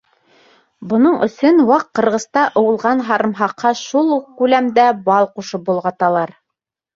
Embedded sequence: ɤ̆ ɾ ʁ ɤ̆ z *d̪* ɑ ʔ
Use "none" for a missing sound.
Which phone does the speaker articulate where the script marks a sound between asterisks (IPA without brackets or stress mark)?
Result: t̪